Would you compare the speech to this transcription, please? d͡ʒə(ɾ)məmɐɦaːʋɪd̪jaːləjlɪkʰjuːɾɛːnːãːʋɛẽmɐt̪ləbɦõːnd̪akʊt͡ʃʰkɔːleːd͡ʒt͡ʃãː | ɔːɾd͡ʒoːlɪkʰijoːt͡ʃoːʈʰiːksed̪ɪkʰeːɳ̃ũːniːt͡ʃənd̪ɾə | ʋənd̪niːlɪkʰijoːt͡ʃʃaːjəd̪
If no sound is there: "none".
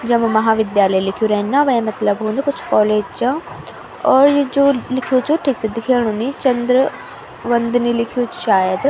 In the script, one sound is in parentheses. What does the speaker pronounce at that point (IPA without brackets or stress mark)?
none